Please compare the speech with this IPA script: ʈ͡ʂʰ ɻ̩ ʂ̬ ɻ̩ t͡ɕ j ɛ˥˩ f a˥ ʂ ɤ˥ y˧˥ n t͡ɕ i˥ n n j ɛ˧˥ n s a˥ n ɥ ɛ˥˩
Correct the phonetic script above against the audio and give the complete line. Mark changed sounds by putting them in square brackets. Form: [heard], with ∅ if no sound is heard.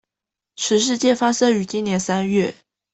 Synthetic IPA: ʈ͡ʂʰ ɻ̩ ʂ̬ ɻ̩ t͡ɕ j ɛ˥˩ f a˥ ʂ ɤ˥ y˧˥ [∅] t͡ɕ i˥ n n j ɛ˧˥ n s a˥ n ɥ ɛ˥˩